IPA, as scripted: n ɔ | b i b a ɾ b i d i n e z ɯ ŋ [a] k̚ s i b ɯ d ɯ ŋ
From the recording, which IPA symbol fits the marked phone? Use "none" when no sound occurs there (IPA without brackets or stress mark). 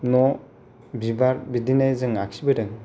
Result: a